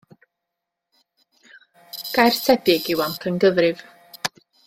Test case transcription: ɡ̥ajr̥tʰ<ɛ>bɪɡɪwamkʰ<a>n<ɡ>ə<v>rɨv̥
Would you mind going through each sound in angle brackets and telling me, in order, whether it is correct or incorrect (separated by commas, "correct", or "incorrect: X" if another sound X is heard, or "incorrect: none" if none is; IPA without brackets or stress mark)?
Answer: correct, incorrect: ə, correct, incorrect: ð